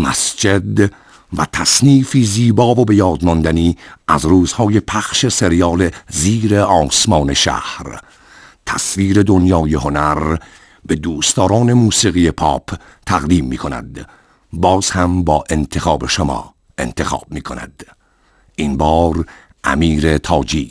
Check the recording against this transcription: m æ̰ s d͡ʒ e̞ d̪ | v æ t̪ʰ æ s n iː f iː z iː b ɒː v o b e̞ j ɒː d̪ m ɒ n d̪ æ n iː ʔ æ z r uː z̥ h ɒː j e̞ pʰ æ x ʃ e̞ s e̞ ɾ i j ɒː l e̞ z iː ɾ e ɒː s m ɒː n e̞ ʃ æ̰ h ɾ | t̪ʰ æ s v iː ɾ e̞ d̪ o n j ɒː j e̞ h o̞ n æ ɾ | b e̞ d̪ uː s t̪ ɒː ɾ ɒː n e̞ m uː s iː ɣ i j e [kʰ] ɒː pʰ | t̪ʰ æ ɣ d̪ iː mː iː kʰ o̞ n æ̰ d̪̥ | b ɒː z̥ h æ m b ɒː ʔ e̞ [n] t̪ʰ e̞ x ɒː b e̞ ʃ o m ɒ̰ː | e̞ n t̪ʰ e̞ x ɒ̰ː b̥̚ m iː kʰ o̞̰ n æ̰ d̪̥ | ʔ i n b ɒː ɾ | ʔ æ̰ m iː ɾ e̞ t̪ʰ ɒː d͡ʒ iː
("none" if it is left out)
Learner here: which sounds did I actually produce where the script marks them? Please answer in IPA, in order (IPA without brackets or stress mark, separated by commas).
pʰ, n